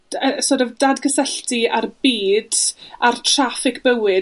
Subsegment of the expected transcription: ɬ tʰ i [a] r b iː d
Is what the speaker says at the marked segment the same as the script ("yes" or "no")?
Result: yes